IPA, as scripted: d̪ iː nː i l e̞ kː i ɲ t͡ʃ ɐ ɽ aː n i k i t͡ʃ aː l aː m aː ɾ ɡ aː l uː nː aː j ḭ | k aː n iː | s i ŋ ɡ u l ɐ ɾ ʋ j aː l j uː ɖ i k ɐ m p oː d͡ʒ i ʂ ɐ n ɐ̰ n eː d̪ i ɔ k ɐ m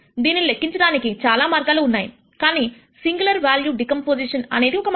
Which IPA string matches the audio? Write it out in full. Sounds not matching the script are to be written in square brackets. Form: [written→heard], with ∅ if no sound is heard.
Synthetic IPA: d̪ iː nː i l e̞ kː i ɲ t͡ʃ ɐ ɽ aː n i k i t͡ʃ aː l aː m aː ɾ ɡ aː l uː nː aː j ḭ | k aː n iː | s i ŋ ɡ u l ɐ ɾ ʋ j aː l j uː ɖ i k ɐ m p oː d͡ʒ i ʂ ɐ n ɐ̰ n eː d̪ i ɔ k ɐ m